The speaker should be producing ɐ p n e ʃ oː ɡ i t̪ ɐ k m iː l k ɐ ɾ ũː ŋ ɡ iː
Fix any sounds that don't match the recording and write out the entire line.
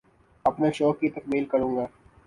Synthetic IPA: ɐ p n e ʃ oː k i t̪ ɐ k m iː l k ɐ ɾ ũː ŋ ɡ aː